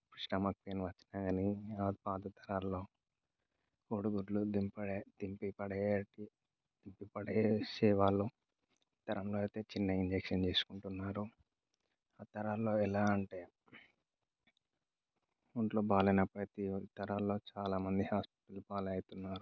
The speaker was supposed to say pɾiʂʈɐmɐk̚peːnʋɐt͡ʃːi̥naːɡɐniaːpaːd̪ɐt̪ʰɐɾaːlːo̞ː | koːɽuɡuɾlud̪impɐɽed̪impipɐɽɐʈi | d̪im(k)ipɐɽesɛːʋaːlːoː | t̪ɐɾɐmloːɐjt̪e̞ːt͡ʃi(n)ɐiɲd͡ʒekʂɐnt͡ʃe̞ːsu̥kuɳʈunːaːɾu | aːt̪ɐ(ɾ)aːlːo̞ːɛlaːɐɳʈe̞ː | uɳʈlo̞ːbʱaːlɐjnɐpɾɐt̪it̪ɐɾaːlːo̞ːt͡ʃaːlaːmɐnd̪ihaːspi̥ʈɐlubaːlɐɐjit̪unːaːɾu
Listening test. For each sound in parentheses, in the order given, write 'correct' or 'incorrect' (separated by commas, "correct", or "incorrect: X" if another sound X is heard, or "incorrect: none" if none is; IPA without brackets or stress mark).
incorrect: p, incorrect: nː, correct